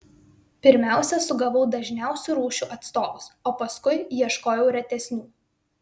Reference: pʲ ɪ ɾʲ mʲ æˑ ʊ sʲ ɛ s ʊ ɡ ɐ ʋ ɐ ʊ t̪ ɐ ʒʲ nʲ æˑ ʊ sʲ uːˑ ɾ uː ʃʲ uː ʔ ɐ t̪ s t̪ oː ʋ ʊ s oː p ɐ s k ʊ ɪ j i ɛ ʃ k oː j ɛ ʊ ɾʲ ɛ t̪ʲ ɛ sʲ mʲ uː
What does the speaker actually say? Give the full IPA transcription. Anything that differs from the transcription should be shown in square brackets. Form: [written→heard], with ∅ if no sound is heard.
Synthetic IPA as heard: pʲ ɪ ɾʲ mʲ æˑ ʊ sʲ ɛ s ʊ ɡ ɐ ʋ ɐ ʊ [t̪→d̪] ɐ ʒʲ nʲ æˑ ʊ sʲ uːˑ ɾ uː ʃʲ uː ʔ ɐ t̪ s t̪ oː ʋ ʊ s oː p ɐ s k ʊ ɪ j i ɛ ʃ k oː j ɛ ʊ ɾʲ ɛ t̪ʲ ɛ sʲ [mʲ→nʲ] uː

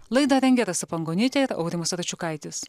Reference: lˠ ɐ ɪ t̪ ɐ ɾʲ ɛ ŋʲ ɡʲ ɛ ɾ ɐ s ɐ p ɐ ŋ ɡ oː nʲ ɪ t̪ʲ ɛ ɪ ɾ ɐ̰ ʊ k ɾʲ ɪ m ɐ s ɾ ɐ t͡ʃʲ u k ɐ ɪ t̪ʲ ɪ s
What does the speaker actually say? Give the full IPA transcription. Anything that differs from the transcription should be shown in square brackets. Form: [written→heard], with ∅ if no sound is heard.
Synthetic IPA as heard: lˠ ɐ ɪ [t̪→d̪] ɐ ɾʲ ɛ ŋʲ ɡʲ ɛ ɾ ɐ s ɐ p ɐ ŋ ɡ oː nʲ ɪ t̪ʲ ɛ ɪ ɾ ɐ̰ ʊ [k→∅] ɾʲ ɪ m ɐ s ɾ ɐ t͡ʃʲ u k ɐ ɪ t̪ʲ ɪ s

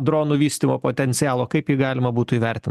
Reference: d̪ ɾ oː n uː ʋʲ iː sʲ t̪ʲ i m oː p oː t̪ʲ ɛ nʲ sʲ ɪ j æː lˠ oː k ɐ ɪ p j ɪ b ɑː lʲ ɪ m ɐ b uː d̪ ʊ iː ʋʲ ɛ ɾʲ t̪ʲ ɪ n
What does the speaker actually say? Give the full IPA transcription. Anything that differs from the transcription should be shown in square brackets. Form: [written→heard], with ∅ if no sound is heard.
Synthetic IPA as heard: d̪ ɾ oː n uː ʋʲ iː sʲ t̪ʲ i m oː p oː t̪ʲ ɛ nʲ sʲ ɪ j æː lˠ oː k ɐ ɪ p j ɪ [b→ɡ] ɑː lʲ ɪ m ɐ b uː [d̪→t̪] ʊ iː ʋʲ ɛ ɾʲ t̪ʲ ɪ n

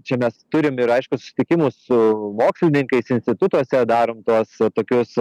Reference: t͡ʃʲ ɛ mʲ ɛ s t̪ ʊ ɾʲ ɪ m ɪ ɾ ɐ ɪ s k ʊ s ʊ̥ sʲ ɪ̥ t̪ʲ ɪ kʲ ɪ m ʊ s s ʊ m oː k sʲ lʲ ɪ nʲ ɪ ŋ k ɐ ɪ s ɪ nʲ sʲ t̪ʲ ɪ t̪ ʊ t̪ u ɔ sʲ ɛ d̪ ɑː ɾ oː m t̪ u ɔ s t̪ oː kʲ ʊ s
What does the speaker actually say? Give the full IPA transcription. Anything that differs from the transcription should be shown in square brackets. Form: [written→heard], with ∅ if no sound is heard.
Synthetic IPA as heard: t͡ʃʲ ɛ mʲ ɛ s t̪ ʊ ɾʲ ɪ m ɪ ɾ ɐ ɪ [s→ʃ] k ʊ s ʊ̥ sʲ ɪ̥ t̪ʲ ɪ kʲ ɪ m ʊ s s ʊ m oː k sʲ lʲ ɪ nʲ ɪ ŋ k ɐ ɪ s ɪ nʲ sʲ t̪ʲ ɪ t̪ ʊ t̪ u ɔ sʲ ɛ d̪ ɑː ɾ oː m t̪ u ɔ s t̪ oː kʲ ʊ s

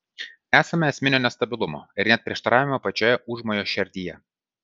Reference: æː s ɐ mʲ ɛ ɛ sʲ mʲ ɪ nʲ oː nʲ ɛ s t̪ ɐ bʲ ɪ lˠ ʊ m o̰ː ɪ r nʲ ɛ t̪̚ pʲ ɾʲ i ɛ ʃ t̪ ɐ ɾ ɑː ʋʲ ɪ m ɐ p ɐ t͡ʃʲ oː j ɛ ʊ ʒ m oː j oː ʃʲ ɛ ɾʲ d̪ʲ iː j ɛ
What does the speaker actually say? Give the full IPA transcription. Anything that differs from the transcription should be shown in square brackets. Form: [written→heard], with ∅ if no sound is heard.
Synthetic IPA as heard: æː s ɐ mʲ ɛ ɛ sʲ mʲ ɪ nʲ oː nʲ ɛ s t̪ ɐ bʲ ɪ lˠ ʊ m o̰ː ɪ [r→ɾ] nʲ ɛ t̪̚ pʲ ɾʲ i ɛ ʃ t̪ ɐ ɾ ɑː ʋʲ ɪ m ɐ p ɐ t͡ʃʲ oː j ɛ ʊ ʒ m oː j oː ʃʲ ɛ ɾʲ d̪ʲ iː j ɛ

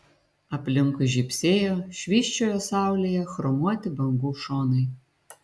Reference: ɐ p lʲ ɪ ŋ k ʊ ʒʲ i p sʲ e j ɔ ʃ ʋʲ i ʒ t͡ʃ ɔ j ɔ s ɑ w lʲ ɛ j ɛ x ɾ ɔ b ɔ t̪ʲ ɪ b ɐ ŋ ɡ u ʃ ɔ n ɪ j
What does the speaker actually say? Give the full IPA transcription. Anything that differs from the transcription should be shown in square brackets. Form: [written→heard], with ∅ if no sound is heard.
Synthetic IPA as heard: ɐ p lʲ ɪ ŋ k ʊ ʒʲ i p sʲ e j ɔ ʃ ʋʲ i [ʒ→ʃ] t͡ʃ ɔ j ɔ s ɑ w lʲ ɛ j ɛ x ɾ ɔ [b→m] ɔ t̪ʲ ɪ b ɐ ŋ ɡ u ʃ ɔ n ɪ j

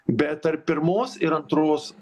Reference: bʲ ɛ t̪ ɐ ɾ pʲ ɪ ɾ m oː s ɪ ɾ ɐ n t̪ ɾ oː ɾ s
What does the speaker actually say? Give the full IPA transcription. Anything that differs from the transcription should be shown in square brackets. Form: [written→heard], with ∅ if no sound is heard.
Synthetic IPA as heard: bʲ ɛ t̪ ɐ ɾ pʲ ɪ ɾ m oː s ɪ ɾ ɐ n t̪ ɾ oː [ɾ→∅] s

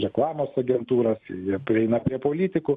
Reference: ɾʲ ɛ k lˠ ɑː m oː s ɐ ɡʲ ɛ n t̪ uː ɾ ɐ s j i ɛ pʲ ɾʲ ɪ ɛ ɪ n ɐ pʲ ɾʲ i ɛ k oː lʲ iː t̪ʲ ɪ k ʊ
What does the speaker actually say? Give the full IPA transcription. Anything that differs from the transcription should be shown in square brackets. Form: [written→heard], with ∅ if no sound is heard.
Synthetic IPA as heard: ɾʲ ɛ k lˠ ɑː m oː s ɐ ɡʲ ɛ n t̪ uː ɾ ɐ s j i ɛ pʲ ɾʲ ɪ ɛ ɪ n ɐ pʲ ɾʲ i ɛ [k→p] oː lʲ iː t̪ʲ ɪ k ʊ

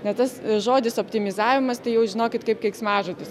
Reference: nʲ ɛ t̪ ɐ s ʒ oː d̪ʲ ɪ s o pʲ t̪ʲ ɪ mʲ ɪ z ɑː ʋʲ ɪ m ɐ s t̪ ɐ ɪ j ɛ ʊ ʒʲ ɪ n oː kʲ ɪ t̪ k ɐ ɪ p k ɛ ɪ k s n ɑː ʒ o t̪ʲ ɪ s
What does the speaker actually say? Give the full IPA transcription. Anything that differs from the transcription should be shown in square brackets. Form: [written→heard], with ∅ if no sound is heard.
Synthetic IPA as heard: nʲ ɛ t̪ ɐ s ʒ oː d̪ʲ ɪ s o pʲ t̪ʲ ɪ mʲ ɪ z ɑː ʋʲ ɪ m ɐ s t̪ ɐ ɪ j ɛ ʊ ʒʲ ɪ n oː kʲ ɪ t̪ k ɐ ɪ p k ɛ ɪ k s [n→m] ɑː ʒ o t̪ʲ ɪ s

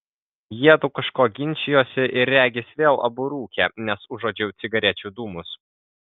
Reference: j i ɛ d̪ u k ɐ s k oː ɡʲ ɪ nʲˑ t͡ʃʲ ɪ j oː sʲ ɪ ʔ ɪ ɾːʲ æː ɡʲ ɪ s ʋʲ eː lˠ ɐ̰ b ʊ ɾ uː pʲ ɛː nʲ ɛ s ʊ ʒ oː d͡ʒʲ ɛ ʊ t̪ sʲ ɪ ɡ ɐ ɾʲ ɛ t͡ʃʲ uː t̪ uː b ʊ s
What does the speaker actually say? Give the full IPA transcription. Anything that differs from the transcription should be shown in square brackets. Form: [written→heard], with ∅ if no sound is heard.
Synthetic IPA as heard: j i ɛ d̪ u k ɐ [s→ʃ] k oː ɡʲ ɪ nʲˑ t͡ʃʲ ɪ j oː sʲ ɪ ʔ ɪ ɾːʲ æː ɡʲ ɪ s ʋʲ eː lˠ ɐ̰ b ʊ ɾ uː [pʲ→kʲ] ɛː nʲ ɛ s ʊ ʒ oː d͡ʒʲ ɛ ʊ t̪ sʲ ɪ ɡ ɐ ɾʲ ɛ t͡ʃʲ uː [t̪→d̪] uː [b→m] ʊ s

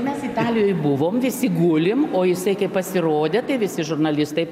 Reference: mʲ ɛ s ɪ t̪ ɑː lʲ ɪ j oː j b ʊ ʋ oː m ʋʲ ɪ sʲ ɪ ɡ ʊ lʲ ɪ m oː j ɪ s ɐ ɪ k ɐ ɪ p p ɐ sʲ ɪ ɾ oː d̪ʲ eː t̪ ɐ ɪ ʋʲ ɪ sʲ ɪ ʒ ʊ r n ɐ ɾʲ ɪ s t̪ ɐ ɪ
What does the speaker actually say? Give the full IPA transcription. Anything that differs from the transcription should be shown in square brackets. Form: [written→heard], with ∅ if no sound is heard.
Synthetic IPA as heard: mʲ ɛ s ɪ t̪ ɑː lʲ ɪ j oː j b ʊ ʋ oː m ʋʲ ɪ sʲ ɪ ɡ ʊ lʲ ɪ m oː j ɪ s ɐ ɪ k ɐ ɪ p p ɐ sʲ ɪ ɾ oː d̪ʲ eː t̪ ɐ ɪ ʋʲ ɪ sʲ ɪ ʒ ʊ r n ɐ [ɾʲ→lʲ] ɪ s t̪ ɐ ɪ

